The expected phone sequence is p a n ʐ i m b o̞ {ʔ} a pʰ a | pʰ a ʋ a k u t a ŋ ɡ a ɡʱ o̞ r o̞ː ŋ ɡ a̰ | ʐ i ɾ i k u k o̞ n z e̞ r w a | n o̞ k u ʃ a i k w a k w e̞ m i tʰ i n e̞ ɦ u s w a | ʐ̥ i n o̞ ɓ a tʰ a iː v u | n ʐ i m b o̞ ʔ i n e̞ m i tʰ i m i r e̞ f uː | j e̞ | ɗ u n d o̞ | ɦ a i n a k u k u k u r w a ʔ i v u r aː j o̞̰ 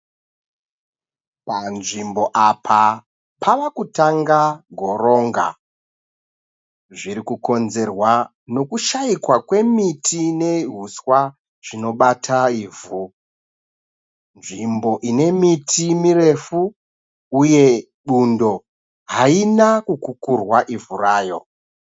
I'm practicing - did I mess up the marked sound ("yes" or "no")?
no